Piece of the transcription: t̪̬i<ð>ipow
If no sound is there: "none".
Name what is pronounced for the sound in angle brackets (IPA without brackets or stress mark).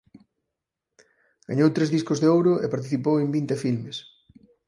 θ